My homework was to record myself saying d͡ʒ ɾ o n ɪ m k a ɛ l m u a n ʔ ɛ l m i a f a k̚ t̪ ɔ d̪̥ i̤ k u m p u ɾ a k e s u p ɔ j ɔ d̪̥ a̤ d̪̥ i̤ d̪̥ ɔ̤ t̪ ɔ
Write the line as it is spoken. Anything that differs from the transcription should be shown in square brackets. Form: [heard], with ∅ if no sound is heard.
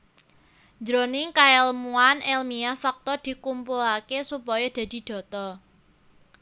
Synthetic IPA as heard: d͡ʒ ɾ o n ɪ [ŋ] k a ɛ l m u a n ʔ ɛ l m i a f a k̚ t̪ ɔ d̪̥ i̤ k u m p u [l] a k e s u p ɔ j ɔ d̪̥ a̤ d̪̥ i̤ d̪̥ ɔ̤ t̪ ɔ